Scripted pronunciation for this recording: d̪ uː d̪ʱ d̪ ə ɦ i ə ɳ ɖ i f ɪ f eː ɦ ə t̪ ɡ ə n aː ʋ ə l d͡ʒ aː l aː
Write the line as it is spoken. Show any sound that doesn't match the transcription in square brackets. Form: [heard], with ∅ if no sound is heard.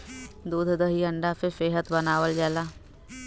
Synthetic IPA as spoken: d̪ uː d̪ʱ d̪ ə ɦ i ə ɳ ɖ [a] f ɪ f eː ɦ ə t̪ [b] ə n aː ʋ ə l d͡ʒ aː l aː